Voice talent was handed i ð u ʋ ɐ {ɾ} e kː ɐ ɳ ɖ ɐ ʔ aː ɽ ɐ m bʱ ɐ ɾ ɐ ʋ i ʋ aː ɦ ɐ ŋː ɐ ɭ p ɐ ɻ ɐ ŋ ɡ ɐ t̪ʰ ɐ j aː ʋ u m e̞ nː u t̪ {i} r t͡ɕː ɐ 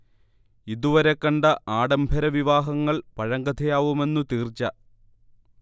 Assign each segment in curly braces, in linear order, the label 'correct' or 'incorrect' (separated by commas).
correct, incorrect